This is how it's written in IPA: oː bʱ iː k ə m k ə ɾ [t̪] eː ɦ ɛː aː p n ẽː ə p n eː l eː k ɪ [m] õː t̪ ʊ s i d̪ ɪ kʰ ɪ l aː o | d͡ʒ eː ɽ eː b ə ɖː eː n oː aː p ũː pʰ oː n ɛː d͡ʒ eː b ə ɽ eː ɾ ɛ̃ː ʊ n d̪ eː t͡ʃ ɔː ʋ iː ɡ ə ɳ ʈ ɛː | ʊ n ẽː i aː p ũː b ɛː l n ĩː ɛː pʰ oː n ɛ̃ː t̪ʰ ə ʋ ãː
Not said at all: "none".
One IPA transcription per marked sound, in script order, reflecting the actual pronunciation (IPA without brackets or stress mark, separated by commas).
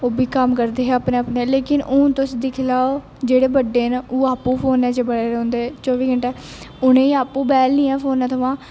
d̪, n